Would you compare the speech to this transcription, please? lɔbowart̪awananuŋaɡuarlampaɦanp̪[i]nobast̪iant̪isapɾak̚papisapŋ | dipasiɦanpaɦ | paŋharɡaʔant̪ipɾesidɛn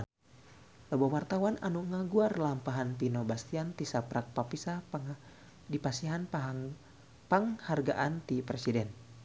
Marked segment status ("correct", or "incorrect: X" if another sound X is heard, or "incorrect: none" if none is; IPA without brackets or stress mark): correct